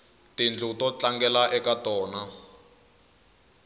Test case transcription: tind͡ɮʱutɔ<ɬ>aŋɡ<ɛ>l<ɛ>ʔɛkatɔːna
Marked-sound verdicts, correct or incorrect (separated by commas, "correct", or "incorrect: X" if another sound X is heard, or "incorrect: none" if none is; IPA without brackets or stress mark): incorrect: t͡ɬ, correct, incorrect: a